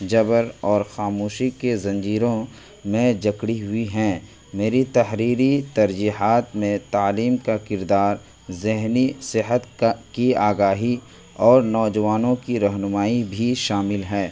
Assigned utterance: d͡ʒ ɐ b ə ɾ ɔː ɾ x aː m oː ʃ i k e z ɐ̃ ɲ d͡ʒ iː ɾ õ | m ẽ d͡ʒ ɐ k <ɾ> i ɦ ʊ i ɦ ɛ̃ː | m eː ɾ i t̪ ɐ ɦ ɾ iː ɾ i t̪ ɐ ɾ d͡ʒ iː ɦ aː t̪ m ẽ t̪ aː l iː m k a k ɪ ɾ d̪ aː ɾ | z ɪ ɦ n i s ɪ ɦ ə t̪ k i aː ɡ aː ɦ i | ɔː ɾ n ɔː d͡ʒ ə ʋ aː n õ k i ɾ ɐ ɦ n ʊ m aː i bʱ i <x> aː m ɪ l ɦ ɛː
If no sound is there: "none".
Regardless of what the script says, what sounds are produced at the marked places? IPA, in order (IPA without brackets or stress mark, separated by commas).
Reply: ɽ, ʃ